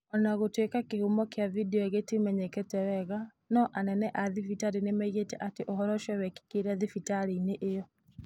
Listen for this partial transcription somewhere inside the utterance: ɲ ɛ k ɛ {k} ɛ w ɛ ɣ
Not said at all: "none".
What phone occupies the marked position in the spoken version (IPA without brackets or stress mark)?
t